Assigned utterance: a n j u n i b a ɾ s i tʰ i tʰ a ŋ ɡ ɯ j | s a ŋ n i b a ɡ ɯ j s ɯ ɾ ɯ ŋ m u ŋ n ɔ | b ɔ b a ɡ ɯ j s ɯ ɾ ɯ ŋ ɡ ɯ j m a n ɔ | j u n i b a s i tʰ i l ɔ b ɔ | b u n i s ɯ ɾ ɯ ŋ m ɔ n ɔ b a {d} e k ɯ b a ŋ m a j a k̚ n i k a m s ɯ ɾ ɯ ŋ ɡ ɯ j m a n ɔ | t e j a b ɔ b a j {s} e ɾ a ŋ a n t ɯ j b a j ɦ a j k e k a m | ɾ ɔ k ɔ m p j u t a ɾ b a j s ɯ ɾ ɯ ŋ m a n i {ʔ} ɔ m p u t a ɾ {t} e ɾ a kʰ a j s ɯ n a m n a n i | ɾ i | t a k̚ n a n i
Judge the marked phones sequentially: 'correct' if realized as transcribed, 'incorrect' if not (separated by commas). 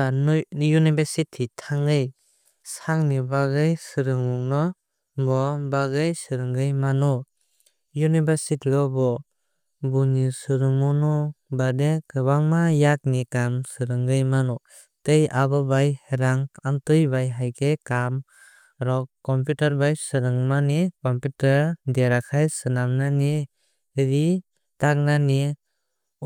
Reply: correct, incorrect, incorrect, incorrect